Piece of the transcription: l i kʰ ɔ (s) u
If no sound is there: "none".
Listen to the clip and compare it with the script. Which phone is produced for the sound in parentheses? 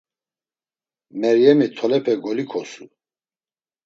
s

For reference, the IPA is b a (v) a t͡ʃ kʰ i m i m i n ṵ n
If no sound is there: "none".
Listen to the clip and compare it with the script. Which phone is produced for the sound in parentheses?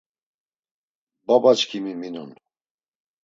b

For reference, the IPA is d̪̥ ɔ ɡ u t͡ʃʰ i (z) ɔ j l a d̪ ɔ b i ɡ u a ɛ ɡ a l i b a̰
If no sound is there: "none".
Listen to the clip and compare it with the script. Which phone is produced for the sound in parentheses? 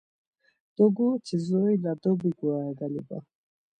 z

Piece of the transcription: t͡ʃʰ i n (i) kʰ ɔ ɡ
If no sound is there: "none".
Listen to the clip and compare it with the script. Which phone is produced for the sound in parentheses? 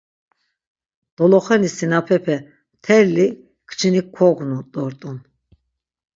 i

